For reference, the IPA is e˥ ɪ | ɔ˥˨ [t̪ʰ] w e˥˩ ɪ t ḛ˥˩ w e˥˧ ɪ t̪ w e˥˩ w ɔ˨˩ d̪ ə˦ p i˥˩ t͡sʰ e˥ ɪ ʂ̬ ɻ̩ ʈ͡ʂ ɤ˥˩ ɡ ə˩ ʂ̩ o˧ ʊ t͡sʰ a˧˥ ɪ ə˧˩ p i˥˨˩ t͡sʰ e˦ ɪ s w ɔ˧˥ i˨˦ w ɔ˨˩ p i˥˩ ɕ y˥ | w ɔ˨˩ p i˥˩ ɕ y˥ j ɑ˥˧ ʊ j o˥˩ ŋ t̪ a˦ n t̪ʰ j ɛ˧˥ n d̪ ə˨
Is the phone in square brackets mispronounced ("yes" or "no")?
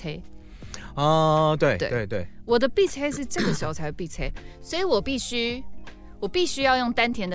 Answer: yes